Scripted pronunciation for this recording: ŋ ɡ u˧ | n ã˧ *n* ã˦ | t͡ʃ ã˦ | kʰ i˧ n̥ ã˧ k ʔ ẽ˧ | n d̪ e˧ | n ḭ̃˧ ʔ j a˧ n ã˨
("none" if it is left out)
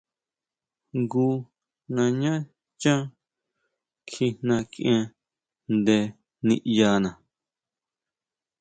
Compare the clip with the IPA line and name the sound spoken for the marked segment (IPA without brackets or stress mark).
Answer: ɲ